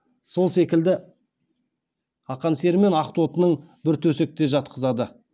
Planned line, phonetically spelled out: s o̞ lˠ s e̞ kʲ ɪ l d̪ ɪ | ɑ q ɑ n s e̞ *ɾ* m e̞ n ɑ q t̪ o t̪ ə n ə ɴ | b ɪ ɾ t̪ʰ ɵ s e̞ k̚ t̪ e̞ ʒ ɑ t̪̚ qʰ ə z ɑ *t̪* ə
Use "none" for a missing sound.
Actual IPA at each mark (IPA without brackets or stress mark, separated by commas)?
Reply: ɾ, d̪